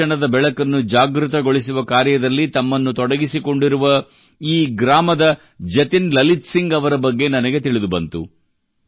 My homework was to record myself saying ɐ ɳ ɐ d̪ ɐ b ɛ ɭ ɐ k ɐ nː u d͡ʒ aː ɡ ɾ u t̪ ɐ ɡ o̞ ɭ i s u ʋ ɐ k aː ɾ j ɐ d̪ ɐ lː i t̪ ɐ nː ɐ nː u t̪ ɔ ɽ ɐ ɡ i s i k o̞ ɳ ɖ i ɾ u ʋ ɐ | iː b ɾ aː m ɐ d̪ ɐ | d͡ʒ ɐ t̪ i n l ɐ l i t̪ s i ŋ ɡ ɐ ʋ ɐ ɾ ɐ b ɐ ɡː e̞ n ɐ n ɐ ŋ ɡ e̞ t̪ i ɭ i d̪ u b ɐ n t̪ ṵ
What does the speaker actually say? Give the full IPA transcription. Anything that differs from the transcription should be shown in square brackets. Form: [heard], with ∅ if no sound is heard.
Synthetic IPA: ɐ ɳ ɐ d̪ ɐ b ɛ ɭ ɐ k ɐ nː u d͡ʒ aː ɡ ɾ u t̪ ɐ ɡ o̞ ɭ i s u ʋ ɐ k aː ɾ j ɐ d̪ ɐ lː i t̪ ɐ [mː] ɐ nː u t̪ ɔ ɽ ɐ ɡ i s i k o̞ ɳ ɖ i ɾ u ʋ ɐ | iː [ɡ] ɾ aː m ɐ d̪ ɐ | d͡ʒ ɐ t̪ i n l ɐ l i t̪ s i ŋ ɡ ɐ ʋ ɐ ɾ ɐ b ɐ ɡː e̞ n ɐ n ɐ [∅] ɡ e̞ t̪ i ɭ i d̪ u b ɐ n t̪ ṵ